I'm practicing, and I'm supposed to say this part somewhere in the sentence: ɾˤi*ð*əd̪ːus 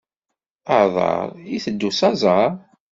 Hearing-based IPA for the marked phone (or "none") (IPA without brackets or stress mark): θ